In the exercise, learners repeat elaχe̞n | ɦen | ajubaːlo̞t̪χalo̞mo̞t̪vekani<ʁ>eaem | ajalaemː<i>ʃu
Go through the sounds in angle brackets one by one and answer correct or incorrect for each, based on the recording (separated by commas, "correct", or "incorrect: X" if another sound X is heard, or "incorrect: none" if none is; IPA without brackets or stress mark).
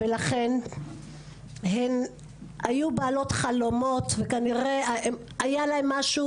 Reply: correct, incorrect: a